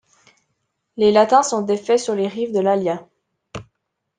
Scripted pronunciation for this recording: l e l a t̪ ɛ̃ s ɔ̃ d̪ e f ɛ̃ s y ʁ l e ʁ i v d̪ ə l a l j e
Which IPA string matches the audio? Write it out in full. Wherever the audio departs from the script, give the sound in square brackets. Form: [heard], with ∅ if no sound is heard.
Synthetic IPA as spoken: l e l a t̪ ɛ̃ s ɔ̃ d̪ e f [ɛ] s y ʁ l e ʁ i v d̪ ə l a l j [a]